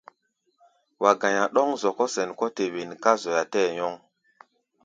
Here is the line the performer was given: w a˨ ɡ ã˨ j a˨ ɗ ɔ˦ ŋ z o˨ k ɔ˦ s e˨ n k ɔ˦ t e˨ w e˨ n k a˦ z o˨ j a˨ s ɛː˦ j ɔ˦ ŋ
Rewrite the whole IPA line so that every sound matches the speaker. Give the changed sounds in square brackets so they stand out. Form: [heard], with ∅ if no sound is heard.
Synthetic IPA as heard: w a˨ ɡ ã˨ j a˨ ɗ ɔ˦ ŋ z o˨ k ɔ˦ s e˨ n k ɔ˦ t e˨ w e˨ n k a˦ z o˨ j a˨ [t] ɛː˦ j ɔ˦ ŋ